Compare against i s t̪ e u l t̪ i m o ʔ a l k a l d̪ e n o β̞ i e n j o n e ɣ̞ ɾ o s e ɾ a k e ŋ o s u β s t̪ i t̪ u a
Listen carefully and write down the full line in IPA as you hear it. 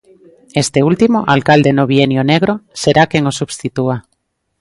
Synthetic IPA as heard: e s t̪ e u l t̪ i m o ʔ a l k a l d̪ e n o β̞ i e n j o n e ɣ̞ ɾ o s e ɾ a k e ŋ o s u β s t̪ i t̪ u a